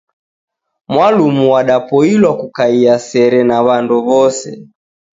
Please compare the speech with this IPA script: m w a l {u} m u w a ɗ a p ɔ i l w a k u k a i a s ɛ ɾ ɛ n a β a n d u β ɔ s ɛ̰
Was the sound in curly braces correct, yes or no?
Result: yes